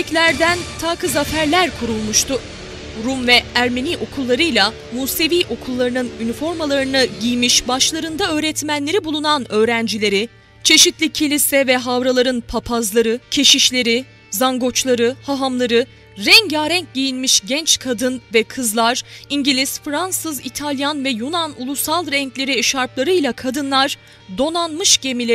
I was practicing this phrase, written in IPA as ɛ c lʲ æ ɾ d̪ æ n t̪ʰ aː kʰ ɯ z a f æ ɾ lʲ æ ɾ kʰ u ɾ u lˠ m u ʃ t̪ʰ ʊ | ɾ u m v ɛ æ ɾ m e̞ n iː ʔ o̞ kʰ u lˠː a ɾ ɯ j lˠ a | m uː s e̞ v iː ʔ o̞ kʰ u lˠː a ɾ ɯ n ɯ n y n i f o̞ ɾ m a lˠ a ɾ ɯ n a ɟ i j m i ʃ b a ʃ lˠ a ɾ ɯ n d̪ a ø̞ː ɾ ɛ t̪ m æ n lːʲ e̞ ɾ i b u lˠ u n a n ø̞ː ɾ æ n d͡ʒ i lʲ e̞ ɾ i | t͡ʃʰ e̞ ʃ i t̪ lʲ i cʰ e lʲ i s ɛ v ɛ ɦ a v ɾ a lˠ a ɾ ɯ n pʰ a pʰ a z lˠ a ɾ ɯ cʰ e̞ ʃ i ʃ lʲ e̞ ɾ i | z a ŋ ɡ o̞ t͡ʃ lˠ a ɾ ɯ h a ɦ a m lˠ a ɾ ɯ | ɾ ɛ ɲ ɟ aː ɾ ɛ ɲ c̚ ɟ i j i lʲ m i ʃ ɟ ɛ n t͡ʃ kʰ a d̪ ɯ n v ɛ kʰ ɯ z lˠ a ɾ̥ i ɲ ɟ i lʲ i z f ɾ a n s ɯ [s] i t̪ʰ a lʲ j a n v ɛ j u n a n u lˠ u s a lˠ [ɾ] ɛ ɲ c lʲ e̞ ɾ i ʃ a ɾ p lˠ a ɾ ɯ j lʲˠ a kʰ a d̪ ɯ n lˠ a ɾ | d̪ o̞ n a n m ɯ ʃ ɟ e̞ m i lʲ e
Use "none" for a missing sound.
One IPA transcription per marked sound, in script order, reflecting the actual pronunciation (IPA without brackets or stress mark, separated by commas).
z, ɾ